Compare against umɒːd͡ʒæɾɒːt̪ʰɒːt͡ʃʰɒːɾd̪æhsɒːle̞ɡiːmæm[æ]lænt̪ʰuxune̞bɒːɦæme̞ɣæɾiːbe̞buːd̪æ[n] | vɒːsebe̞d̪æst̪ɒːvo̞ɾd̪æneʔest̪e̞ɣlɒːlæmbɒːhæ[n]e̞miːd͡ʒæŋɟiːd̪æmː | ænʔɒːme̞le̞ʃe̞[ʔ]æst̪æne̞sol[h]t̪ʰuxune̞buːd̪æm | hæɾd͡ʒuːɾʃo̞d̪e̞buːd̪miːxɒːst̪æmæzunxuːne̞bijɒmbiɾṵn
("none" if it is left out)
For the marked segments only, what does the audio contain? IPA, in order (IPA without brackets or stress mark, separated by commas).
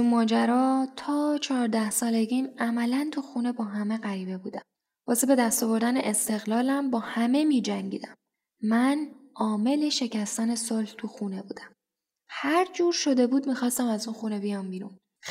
æ, m, m, c, h